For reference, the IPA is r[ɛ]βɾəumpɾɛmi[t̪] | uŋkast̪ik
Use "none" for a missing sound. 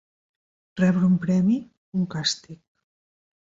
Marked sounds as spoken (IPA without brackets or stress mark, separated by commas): ɛ, none